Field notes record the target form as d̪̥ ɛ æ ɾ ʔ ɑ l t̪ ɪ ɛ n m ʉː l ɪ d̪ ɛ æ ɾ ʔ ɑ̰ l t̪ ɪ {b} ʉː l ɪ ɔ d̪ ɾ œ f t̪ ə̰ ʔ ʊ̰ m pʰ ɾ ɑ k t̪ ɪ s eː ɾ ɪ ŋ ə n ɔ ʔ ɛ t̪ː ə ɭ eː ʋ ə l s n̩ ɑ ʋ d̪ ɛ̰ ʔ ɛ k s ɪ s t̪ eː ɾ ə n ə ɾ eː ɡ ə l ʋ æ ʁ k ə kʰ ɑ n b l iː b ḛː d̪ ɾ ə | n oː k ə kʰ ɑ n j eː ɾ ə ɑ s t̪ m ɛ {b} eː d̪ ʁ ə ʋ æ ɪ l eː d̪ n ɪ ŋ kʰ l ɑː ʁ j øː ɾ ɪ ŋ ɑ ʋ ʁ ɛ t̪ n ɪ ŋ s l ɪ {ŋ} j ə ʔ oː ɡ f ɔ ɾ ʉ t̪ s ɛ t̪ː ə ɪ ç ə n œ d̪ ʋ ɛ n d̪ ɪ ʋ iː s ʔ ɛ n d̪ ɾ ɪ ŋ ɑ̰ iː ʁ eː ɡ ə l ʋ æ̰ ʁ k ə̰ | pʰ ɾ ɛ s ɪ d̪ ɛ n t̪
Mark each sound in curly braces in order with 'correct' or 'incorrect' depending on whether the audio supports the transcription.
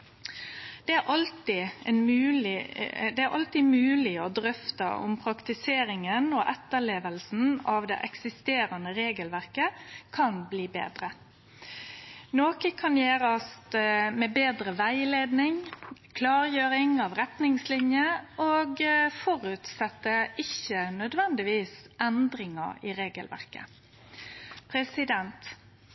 incorrect, correct, incorrect

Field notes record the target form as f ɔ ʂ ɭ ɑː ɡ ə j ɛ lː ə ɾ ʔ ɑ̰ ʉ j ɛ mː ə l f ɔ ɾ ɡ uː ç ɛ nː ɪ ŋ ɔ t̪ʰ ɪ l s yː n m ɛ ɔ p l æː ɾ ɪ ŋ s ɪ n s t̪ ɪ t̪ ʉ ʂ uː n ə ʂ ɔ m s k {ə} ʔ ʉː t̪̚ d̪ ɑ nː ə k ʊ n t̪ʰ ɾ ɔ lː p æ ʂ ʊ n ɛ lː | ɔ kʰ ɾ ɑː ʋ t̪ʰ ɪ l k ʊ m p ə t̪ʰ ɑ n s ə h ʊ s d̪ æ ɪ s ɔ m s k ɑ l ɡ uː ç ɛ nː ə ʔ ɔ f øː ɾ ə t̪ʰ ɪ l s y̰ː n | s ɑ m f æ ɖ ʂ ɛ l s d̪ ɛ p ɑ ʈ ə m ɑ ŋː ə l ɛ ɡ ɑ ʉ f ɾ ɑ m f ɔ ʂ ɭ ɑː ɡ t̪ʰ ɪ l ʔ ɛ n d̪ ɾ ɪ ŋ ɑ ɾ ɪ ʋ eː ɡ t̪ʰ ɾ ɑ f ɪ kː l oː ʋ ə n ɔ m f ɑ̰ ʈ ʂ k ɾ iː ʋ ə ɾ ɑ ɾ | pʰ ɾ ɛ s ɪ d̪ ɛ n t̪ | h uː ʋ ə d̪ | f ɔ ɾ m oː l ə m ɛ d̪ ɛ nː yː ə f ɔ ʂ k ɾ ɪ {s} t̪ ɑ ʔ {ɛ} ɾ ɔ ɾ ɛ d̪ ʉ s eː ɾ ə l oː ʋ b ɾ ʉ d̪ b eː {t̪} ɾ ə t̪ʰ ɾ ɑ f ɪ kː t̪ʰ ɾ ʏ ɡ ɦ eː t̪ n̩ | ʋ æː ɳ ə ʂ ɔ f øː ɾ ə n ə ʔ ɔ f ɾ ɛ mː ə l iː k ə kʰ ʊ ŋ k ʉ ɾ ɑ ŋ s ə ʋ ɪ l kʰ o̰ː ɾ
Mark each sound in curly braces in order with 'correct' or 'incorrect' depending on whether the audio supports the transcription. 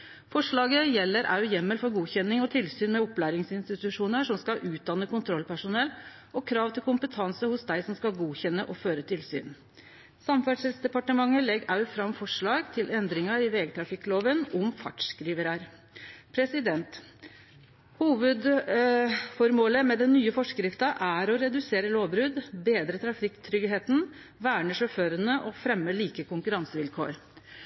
incorrect, incorrect, incorrect, incorrect

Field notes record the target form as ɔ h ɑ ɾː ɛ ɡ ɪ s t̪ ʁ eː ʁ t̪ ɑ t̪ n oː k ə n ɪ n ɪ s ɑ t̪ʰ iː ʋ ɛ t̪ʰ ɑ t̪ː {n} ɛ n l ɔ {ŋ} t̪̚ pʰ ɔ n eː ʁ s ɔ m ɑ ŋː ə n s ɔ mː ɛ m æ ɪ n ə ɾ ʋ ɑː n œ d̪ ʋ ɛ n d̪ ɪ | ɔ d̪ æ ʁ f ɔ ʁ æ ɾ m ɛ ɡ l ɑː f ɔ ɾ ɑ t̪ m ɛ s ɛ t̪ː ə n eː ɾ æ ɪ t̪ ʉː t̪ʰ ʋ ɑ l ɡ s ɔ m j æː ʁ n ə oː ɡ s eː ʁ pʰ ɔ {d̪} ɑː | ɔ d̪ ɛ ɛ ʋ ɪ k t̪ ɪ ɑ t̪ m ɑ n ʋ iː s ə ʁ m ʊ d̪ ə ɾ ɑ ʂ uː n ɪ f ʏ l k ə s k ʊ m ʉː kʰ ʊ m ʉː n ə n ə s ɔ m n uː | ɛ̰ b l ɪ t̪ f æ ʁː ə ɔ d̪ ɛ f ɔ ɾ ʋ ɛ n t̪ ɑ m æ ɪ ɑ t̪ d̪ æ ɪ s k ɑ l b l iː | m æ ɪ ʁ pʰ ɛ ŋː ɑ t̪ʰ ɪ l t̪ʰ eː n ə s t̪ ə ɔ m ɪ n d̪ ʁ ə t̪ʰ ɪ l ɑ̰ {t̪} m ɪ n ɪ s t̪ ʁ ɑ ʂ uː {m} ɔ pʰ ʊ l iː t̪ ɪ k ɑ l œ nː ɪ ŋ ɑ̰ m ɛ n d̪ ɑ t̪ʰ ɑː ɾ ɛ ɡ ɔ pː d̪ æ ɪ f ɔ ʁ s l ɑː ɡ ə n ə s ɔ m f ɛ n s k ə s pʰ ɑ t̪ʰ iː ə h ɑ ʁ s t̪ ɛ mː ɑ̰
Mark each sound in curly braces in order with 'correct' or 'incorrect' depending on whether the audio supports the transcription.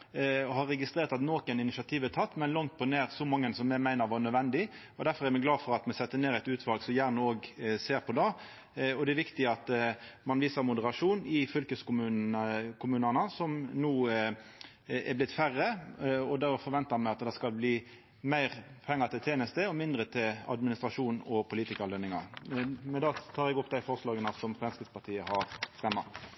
incorrect, correct, correct, incorrect, incorrect

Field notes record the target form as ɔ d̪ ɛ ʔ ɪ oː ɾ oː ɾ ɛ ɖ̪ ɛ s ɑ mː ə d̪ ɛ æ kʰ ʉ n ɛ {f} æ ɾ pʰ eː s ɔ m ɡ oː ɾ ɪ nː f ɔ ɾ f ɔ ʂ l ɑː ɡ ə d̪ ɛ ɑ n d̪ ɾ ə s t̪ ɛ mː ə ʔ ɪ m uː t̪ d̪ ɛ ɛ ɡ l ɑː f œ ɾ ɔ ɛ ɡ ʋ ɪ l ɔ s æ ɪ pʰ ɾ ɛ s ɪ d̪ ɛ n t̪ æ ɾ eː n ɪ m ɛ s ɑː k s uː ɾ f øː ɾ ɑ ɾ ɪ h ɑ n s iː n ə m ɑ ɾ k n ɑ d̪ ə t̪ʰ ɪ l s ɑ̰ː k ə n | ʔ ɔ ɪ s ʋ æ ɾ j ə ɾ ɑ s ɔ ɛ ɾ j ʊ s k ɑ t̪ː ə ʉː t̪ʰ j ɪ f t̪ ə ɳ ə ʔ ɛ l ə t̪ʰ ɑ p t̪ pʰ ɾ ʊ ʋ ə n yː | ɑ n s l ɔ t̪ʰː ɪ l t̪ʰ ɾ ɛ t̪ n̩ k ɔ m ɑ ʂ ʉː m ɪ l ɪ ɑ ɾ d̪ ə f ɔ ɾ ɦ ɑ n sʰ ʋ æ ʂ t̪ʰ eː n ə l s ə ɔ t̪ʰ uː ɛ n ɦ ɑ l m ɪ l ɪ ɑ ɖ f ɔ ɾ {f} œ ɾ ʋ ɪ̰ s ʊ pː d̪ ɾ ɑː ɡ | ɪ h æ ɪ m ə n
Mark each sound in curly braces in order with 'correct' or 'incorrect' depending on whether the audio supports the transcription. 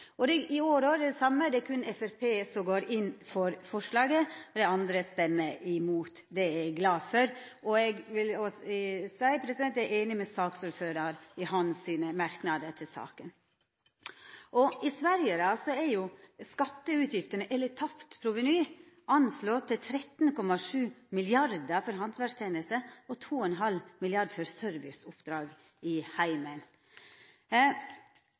correct, incorrect

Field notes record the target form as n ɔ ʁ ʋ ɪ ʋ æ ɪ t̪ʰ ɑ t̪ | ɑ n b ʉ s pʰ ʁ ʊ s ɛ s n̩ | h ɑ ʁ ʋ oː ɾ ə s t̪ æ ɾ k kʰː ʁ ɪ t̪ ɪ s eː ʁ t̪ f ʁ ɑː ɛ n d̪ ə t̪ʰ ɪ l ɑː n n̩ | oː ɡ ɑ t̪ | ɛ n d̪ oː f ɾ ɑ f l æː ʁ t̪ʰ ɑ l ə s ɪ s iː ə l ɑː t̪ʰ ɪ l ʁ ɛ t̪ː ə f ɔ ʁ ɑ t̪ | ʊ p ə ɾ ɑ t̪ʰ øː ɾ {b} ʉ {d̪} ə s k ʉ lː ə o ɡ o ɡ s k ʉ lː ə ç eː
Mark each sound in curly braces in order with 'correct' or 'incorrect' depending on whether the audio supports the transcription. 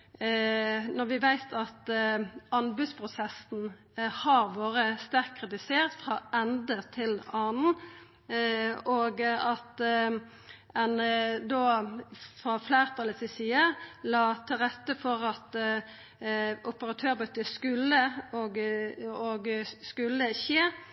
correct, incorrect

